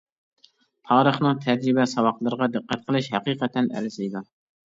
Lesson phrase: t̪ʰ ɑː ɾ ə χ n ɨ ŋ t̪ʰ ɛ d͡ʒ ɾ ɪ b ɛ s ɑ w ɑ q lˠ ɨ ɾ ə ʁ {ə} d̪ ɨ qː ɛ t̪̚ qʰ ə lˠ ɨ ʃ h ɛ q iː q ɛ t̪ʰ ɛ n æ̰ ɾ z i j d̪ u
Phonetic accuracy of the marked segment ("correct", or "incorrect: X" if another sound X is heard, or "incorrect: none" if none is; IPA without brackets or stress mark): incorrect: ɑ